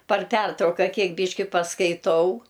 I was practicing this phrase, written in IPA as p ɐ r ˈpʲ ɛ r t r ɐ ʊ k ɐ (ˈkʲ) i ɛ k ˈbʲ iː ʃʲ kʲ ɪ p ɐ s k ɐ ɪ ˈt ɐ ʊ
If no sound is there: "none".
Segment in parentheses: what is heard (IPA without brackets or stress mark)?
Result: kʲ